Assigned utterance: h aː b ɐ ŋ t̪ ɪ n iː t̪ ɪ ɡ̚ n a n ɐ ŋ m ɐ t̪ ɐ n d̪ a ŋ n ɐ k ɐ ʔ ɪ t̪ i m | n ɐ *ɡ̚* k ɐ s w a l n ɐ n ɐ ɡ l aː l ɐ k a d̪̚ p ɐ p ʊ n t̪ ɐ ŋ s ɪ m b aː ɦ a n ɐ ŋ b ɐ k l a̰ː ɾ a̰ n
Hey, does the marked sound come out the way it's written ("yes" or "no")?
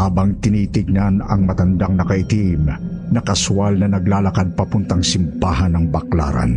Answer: no